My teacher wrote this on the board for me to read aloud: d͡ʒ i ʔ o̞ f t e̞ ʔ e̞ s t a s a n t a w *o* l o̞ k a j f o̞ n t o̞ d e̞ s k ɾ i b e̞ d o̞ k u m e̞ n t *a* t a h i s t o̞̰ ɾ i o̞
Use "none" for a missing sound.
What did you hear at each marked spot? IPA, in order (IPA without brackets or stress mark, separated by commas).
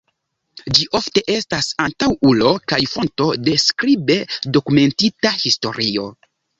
u, i